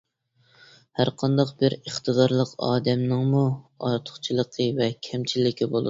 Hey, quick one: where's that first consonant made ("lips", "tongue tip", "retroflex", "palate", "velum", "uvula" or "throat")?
throat